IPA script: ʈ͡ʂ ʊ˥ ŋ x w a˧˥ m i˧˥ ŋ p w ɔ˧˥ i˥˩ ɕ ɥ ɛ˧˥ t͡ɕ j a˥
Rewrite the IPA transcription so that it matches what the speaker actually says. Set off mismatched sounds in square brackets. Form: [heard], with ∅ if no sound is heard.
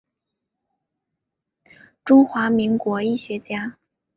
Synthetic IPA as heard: ʈ͡ʂ ʊ˥ ŋ x w a˧˥ m i˧˥ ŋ [k] w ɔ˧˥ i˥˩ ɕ ɥ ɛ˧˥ t͡ɕ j a˥